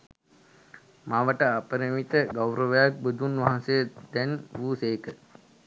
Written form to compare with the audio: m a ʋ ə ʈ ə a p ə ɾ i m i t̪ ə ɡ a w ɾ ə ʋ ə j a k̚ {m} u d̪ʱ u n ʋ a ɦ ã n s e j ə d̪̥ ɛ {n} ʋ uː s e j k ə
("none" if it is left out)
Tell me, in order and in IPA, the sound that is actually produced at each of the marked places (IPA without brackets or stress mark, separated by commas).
b, n